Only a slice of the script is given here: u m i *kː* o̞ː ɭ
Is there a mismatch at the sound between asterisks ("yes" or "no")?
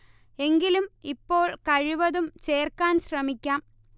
yes